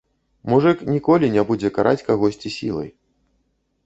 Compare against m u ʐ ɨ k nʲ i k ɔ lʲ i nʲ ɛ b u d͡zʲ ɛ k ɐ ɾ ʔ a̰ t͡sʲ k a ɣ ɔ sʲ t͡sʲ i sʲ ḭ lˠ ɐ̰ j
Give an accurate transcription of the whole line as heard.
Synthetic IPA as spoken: m u ʐ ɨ k nʲ i k ɔ lʲ i nʲ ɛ b u d͡zʲ ɛ k a ɾ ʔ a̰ t͡sʲ k a ɣ ɔ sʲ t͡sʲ i sʲ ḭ lˠ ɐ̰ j